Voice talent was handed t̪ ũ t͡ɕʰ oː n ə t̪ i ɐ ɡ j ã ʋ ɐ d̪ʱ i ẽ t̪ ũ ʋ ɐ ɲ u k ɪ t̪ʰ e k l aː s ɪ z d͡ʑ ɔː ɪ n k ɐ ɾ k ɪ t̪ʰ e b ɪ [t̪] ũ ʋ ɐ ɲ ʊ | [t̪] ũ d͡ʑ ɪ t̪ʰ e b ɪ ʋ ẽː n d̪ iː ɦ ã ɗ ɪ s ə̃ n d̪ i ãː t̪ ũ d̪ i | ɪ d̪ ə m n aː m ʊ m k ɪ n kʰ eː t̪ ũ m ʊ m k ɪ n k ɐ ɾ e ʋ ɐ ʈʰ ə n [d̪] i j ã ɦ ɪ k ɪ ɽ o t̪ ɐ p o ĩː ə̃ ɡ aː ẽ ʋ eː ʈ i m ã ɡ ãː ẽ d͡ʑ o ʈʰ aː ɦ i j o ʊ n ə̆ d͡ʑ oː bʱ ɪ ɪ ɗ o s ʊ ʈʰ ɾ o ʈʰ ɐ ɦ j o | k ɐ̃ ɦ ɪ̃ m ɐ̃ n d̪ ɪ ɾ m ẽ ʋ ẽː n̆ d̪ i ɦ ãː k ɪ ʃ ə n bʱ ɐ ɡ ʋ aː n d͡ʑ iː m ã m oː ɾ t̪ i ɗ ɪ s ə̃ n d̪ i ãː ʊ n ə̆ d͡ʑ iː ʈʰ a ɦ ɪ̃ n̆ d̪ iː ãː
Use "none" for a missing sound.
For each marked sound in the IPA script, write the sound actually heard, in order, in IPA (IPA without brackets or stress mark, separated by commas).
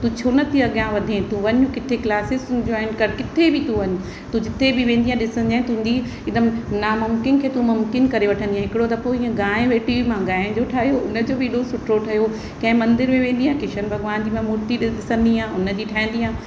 t̪, t̪, d̪